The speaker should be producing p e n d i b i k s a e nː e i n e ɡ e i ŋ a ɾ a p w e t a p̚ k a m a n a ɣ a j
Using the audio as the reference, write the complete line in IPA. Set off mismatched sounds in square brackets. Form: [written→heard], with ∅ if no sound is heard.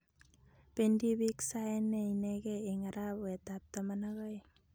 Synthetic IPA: p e n d i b i k s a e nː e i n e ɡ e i ŋ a ɾ a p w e t a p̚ [k→t] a m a n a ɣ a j

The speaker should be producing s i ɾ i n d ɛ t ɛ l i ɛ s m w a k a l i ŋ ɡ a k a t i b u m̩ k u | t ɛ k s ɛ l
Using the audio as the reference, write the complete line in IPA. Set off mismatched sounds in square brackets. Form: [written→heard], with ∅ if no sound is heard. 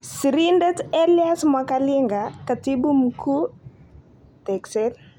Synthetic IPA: s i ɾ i n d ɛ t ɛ l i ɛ s m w a k a l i ŋ ɡ a k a t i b u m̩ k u | t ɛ k s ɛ l

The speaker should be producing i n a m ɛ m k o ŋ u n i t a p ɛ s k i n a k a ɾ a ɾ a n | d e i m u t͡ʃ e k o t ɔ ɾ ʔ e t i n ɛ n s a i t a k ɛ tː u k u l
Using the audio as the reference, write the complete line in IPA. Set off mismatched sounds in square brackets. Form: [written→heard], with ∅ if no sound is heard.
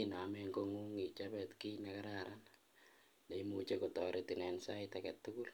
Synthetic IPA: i n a m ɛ [m→ŋ] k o ŋ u [n→ŋ] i [t→t͡ʃ] a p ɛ [s→t] k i n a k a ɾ a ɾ a n | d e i m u t͡ʃ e k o t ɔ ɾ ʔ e t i n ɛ n s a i t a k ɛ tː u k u l

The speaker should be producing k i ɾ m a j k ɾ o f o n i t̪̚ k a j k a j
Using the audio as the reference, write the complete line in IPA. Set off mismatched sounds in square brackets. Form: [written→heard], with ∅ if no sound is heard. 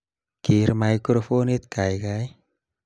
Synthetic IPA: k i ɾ m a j k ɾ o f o n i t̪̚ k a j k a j

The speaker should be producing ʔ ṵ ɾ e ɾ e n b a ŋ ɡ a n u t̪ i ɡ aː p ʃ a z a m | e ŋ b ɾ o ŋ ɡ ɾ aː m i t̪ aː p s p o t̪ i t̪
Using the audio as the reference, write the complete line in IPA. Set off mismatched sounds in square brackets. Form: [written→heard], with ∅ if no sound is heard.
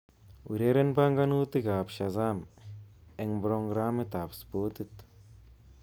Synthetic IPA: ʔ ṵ ɾ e ɾ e n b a ŋ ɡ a n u t̪ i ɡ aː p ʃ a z a m | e ŋ b ɾ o ŋ ɡ ɾ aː m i t̪ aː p s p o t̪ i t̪

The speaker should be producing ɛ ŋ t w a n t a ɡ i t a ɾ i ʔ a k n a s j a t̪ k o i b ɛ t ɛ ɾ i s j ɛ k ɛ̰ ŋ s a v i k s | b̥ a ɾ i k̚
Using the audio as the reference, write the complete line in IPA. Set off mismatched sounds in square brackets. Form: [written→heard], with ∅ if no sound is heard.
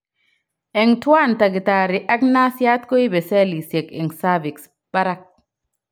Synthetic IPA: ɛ ŋ t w a n t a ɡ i t a ɾ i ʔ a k n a s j a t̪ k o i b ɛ [t→s] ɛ [ɾ→l] i s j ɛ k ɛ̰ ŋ s a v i k s | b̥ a ɾ [i→a] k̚

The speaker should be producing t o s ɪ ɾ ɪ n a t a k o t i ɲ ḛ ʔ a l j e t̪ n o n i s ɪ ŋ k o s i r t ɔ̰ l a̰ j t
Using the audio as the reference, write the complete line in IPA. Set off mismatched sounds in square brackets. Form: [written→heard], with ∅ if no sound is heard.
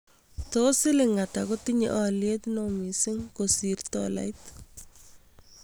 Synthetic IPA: t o s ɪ [ɾ→l] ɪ [n→ŋ] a t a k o t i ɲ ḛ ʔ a l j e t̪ n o [n→m] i s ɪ ŋ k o s i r t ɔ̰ l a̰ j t

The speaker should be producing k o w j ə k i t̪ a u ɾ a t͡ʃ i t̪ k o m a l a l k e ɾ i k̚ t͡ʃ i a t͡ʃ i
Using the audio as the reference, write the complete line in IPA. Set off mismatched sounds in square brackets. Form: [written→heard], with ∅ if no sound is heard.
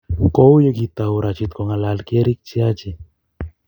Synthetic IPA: k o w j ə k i t̪ a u ɾ a t͡ʃ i t̪ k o [m→ŋ] a l a l k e ɾ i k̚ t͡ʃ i a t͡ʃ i

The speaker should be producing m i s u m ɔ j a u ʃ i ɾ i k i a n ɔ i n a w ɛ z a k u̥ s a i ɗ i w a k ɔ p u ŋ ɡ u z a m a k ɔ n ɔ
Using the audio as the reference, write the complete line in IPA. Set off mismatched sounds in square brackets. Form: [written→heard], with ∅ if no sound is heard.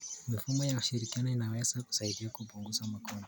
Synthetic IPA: m i [s→f] u m ɔ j a u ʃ i ɾ i k i a n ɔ i n a w ɛ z a k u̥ s a i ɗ i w a k [ɔ→u] p u ŋ ɡ u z a m a k ɔ n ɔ

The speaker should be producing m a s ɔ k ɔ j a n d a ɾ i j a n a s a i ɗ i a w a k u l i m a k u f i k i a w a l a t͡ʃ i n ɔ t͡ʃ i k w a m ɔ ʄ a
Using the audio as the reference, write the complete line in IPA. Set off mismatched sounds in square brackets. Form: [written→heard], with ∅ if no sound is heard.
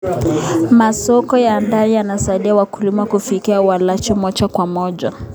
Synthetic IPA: m a s ɔ k ɔ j a n d a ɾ i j a n a s a i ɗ i a w a k u l i m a k u f i k i a w a l a t͡ʃ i [n→m] ɔ t͡ʃ [i→a] k w a m ɔ ʄ a

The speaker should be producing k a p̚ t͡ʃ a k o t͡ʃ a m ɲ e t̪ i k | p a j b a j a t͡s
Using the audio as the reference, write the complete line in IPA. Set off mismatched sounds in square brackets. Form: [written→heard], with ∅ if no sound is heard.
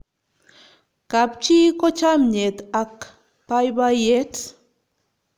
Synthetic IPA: k a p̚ t͡ʃ [a→i] k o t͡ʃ a m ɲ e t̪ [i→a] k | p a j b a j [a→e] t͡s

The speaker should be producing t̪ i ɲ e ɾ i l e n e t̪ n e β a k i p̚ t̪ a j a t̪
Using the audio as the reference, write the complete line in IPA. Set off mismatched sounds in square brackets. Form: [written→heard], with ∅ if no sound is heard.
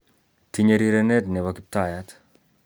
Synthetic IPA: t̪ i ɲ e ɾ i [l→ɾ] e n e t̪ n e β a k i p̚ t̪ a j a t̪

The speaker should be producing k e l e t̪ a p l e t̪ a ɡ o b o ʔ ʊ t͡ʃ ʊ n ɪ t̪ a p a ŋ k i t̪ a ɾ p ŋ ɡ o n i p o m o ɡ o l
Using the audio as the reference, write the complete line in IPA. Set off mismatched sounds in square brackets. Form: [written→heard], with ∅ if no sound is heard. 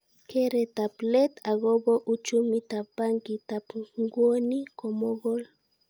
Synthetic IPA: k e [l→ɾ] e t̪ a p l e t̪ a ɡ o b o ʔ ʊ t͡ʃ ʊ [n→m] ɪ t̪ a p a ŋ k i t̪ a [ɾ→∅] p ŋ ɡ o n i [p→k] o m o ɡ o l

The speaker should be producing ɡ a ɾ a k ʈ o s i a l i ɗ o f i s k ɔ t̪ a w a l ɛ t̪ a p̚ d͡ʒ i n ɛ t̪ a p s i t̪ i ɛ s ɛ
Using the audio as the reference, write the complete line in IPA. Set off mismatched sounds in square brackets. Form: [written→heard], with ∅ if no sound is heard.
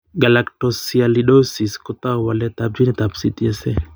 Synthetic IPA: ɡ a [ɾ→l] a k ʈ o s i a l i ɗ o [f→s] i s k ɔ t̪ a w a l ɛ t̪ a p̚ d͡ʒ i n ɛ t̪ a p s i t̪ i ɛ s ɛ

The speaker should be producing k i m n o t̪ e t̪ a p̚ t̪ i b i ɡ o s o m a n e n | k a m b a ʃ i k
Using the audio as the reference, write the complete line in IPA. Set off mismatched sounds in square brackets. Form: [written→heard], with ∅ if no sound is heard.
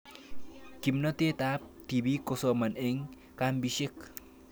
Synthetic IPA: k i m n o t̪ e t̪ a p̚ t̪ i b i [ɡ→k] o s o m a n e [n→ŋ] | k a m b [a→i] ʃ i k

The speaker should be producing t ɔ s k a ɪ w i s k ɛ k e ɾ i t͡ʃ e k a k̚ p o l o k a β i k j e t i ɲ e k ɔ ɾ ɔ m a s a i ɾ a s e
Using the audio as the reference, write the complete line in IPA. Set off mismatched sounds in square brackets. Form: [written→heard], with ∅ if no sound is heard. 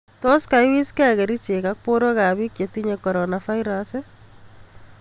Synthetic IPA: t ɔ s k a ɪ w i s k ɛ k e ɾ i t͡ʃ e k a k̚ p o [l→ɾ] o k a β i k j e t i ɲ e k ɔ ɾ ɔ [m→n] a [s→f] a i ɾ a s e

